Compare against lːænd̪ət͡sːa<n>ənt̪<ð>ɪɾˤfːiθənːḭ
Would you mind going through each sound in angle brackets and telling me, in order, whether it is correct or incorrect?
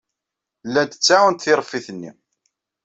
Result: incorrect: none, incorrect: θ

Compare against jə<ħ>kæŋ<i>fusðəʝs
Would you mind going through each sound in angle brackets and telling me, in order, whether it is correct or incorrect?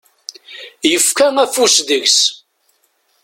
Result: incorrect: f, incorrect: æ

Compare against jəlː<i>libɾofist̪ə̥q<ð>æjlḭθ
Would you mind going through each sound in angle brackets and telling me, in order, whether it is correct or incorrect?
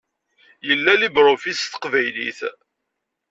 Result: incorrect: æ, incorrect: v

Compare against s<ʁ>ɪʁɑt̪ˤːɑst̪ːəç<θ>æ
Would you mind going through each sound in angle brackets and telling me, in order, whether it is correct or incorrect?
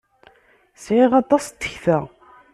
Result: incorrect: ʕ, correct

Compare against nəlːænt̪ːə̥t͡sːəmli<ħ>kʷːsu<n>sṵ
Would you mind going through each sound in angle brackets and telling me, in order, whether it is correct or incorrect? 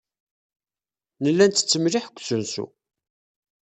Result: correct, correct

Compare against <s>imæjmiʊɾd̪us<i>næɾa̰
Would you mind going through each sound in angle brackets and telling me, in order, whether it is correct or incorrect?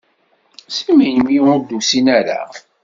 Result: correct, correct

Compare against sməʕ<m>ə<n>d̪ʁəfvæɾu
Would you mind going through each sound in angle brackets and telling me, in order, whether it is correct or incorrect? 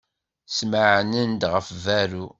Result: incorrect: n, correct

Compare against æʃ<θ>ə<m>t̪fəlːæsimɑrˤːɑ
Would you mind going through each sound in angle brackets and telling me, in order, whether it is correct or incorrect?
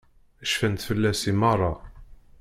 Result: incorrect: f, incorrect: n

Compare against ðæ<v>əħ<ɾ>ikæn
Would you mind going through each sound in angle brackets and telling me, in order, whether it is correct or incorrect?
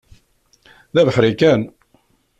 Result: correct, correct

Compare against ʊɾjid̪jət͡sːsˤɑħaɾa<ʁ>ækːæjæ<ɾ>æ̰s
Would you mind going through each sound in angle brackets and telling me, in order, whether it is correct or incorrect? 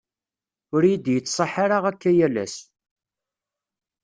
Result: correct, incorrect: l

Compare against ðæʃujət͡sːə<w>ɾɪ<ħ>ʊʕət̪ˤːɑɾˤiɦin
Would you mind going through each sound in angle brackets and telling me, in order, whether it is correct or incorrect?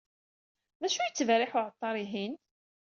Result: incorrect: v, correct

